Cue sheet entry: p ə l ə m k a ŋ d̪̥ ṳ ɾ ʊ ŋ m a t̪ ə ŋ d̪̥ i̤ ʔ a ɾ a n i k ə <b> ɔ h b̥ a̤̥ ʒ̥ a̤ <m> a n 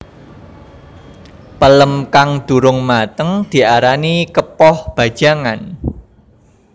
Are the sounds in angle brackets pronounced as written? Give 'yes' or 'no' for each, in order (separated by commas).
no, no